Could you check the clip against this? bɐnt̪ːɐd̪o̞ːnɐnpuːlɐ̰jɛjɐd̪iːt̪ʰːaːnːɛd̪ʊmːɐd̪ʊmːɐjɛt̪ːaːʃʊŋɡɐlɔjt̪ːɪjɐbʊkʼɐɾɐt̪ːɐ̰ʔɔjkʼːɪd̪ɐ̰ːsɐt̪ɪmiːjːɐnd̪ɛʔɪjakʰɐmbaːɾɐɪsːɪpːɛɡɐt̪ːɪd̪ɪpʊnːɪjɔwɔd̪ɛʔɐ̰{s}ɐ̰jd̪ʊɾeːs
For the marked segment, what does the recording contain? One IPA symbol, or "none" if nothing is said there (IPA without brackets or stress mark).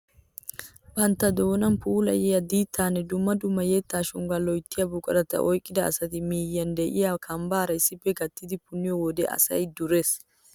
s